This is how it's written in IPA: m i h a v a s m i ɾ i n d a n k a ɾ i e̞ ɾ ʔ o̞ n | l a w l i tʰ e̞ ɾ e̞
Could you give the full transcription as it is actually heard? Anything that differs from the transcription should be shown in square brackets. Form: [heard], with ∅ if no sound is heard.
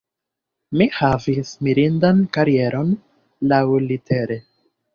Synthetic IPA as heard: m i h a v [i] s m i ɾ i n d a n k a ɾ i e̞ ɾ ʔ o̞ n | l a w l i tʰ e̞ ɾ e̞